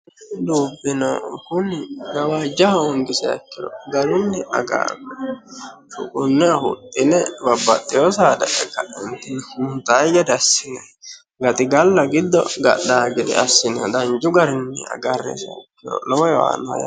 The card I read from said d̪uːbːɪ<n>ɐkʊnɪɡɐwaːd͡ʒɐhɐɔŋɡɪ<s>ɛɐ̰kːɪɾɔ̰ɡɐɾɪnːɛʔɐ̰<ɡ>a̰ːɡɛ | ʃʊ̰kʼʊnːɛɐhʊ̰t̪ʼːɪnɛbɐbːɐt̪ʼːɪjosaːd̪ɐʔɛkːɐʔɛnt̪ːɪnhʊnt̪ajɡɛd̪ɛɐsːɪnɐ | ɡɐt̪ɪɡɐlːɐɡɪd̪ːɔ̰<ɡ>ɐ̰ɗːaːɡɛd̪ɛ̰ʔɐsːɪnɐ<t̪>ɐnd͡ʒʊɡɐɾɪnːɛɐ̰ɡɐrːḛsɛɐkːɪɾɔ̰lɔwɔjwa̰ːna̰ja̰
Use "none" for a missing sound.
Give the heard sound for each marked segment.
n, s, ɡ, ɡ, d̪

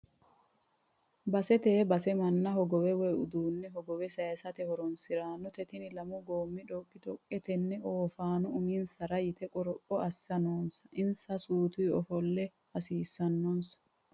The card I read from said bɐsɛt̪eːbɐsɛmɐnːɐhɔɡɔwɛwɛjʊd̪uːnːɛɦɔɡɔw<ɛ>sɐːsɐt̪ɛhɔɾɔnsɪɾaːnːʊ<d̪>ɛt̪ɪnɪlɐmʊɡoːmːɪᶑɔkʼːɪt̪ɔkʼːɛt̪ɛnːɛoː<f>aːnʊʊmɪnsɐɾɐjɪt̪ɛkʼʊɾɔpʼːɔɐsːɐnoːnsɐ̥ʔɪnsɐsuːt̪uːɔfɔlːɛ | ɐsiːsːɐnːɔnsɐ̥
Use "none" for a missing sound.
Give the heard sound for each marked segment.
ɛ, t̪, f

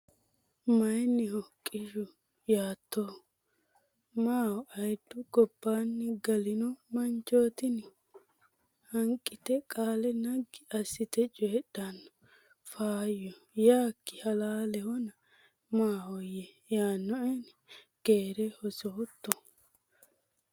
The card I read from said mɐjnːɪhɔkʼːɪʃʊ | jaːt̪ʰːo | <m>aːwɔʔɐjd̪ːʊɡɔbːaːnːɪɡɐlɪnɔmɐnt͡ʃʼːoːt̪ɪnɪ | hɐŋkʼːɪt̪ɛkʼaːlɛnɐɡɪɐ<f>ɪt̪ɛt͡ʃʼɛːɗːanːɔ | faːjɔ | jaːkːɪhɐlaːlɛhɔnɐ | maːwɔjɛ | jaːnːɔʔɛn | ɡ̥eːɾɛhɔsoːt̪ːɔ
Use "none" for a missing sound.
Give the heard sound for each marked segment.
m, s

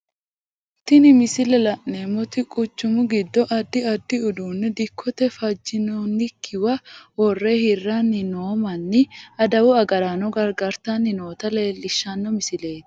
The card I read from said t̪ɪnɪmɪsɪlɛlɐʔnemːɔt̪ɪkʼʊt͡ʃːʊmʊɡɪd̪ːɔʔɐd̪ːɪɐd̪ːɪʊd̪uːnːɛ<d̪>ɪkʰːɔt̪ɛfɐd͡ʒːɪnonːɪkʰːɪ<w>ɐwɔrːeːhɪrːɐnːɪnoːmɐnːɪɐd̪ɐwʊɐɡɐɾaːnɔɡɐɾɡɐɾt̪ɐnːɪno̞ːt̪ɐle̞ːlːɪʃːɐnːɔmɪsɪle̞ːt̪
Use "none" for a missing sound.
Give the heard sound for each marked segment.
d̪, w

